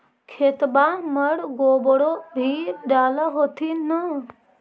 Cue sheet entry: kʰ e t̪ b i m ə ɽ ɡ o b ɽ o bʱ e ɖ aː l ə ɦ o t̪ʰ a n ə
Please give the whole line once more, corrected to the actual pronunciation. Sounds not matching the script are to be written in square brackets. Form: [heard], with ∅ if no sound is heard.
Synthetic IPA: kʰ e t̪ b [a] m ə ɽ ɡ o b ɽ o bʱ [i] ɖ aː l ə ɦ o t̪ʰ [i] n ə